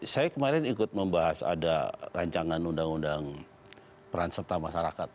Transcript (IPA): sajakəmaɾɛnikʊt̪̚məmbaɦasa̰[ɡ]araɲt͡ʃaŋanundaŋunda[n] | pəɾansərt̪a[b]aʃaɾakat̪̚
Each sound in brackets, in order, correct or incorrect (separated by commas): incorrect, incorrect, incorrect